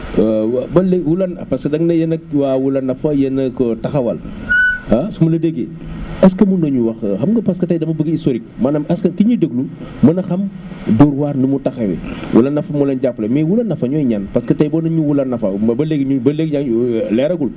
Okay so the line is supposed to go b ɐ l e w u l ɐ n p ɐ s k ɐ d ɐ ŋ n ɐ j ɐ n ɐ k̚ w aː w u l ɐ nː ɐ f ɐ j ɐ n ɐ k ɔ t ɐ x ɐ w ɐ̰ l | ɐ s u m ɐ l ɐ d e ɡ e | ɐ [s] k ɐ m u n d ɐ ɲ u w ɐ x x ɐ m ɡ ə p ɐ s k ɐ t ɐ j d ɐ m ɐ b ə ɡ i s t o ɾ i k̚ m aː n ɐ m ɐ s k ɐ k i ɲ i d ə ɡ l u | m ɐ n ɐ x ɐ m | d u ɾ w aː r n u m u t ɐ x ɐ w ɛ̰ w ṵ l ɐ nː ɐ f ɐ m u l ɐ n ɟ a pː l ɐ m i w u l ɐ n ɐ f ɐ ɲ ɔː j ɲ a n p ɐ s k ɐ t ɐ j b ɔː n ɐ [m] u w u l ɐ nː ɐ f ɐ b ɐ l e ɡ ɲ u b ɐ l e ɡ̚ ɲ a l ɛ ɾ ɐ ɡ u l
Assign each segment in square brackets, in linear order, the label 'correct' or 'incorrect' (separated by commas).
correct, incorrect